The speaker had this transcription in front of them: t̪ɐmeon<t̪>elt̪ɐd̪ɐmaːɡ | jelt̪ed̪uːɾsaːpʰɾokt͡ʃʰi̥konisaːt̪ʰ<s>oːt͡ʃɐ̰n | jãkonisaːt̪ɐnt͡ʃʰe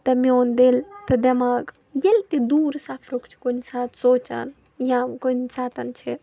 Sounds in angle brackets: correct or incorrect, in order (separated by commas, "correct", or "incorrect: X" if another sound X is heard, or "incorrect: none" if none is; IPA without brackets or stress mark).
incorrect: d̪, correct